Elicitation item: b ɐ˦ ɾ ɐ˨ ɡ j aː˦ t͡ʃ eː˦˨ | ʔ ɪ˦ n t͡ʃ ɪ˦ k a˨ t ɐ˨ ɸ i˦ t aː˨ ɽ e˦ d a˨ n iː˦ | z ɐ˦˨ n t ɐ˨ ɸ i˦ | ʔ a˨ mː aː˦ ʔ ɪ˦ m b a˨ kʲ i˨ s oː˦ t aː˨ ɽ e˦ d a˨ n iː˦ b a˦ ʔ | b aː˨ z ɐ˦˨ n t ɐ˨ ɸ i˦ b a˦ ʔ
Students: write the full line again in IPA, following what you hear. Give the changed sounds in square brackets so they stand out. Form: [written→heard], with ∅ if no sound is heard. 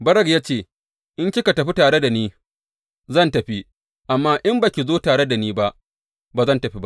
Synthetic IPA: b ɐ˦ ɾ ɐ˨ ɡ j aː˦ t͡ʃ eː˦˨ | ʔ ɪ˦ n t͡ʃ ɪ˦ k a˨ t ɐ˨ ɸ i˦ t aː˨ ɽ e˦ d a˨ n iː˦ | z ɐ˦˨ n t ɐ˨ ɸ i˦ | ʔ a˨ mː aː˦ ʔ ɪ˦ m b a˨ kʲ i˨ [s→z] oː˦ t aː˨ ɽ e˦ d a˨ n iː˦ b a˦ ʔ | b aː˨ z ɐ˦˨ n t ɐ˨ ɸ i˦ b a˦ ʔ